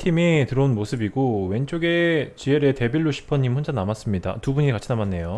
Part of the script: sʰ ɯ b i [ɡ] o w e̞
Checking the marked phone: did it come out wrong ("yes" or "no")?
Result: no